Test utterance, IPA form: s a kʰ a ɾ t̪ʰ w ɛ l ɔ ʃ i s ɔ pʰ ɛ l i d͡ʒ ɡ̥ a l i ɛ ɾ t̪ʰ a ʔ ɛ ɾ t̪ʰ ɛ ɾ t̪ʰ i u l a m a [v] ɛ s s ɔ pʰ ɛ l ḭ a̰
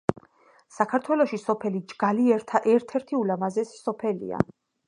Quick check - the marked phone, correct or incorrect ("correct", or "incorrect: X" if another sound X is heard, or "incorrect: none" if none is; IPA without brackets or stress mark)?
incorrect: z